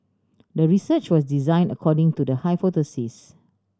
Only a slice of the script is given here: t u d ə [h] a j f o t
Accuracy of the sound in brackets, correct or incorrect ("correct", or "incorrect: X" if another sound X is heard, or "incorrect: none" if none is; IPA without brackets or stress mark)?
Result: correct